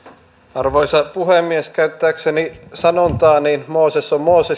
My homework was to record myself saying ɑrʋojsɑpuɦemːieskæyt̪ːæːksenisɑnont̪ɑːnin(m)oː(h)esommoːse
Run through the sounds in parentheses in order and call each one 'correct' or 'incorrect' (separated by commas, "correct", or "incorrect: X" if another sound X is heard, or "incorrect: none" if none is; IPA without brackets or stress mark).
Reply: correct, incorrect: s